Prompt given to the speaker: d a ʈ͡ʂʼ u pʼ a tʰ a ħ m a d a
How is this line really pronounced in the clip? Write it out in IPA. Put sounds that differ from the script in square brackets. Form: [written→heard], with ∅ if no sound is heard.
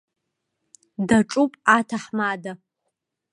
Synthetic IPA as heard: d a ʈ͡ʂʼ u pʼ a tʰ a ħ m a d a